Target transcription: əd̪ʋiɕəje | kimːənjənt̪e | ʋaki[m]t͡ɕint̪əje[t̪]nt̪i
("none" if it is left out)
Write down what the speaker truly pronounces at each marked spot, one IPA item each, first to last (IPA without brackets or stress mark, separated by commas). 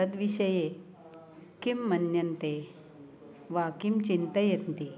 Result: m, t̪